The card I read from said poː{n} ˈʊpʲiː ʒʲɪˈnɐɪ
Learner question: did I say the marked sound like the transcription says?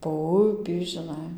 no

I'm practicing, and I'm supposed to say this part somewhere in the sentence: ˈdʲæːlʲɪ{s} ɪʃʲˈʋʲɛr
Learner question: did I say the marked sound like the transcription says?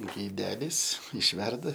yes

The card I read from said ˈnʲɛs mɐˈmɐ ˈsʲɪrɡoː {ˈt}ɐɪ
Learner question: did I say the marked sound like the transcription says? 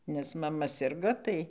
yes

